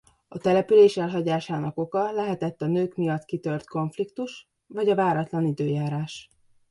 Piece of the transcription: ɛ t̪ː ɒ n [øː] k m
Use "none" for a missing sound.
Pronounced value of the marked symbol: øː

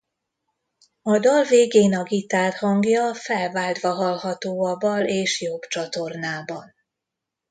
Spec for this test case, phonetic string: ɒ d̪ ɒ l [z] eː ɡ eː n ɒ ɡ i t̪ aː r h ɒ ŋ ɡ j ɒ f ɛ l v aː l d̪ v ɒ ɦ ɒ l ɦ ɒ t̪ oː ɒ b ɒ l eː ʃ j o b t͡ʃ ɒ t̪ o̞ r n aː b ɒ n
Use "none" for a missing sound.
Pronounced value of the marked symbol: v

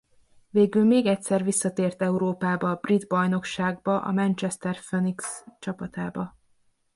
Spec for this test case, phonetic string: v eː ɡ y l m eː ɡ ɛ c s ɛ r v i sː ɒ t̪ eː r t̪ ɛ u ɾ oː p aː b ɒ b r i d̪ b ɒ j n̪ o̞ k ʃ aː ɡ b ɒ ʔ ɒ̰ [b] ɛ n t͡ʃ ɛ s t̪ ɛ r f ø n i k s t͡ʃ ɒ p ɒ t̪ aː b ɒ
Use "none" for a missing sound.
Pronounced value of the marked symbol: m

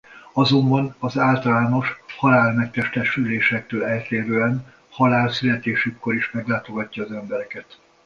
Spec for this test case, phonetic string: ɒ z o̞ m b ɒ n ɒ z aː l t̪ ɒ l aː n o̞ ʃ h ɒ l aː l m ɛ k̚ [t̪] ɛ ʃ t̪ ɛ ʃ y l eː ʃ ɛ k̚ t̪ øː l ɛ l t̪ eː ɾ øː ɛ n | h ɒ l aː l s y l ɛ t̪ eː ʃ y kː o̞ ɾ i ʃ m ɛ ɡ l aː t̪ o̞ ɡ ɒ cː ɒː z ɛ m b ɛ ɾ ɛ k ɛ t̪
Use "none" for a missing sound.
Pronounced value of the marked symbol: t̪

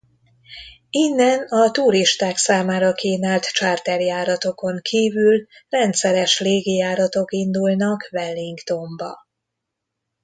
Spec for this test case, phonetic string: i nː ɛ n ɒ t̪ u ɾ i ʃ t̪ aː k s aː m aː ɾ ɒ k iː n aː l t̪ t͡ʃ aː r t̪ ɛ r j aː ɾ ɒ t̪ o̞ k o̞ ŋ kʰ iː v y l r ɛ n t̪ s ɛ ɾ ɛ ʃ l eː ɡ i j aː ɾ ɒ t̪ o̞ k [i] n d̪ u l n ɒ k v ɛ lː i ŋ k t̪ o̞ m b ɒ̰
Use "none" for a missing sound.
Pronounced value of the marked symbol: i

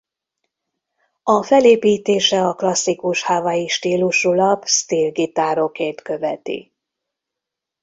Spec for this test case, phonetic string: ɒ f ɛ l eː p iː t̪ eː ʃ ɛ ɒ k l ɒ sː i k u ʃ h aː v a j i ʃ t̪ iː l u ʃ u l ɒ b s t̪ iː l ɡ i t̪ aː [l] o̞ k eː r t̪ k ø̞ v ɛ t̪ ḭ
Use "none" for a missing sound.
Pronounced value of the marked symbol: ɾ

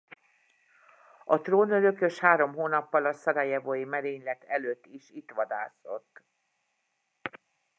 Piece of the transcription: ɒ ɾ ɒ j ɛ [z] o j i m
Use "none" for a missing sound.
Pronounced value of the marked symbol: v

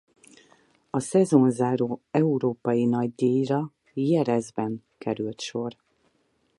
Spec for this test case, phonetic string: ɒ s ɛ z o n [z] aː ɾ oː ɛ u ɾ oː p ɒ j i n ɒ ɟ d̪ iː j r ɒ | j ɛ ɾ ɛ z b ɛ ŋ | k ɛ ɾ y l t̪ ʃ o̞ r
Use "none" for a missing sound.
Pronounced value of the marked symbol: z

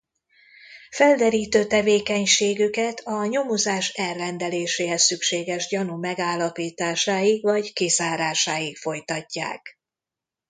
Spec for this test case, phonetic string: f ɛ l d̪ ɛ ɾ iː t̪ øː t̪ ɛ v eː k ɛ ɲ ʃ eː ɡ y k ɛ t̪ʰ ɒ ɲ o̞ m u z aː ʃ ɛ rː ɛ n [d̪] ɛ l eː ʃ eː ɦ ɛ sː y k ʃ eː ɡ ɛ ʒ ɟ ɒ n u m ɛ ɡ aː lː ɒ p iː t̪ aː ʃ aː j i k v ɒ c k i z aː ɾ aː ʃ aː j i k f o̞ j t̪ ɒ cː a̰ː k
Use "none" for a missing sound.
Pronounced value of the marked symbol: d̪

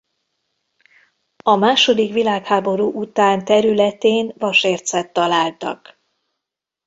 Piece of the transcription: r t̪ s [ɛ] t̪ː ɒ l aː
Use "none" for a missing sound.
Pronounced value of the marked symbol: ɛ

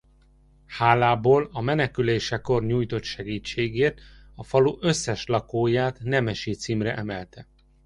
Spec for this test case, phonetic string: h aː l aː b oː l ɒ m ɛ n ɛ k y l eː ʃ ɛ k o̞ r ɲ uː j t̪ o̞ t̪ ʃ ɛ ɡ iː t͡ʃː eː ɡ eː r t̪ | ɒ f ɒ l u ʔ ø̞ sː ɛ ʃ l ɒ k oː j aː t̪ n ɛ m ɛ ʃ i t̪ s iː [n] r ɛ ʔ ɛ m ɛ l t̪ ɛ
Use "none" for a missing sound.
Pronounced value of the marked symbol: m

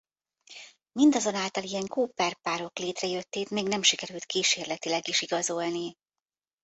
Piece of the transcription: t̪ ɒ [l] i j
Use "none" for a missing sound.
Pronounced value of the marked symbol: l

